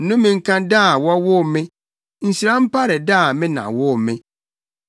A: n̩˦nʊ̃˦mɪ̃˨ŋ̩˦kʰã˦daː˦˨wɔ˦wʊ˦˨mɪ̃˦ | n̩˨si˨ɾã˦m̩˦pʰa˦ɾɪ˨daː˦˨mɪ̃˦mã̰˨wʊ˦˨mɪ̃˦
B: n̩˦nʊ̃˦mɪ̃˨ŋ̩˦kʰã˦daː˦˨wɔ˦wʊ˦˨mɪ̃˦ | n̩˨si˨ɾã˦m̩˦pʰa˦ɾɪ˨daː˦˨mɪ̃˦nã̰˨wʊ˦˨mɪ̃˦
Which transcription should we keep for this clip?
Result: B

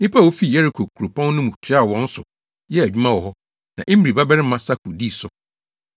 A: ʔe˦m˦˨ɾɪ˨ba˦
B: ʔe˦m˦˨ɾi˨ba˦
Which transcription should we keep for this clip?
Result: B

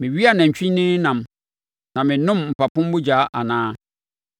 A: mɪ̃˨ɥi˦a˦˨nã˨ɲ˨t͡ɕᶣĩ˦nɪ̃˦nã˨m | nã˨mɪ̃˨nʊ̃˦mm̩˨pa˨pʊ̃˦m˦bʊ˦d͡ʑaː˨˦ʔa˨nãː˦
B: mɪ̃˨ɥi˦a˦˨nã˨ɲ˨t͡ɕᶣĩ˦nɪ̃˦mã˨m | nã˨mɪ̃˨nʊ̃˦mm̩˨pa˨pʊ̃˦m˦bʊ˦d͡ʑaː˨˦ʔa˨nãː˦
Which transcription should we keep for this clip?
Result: A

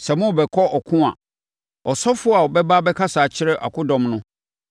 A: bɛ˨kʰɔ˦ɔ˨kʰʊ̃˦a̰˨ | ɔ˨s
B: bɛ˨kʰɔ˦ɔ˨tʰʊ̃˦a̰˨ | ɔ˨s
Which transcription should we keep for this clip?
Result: A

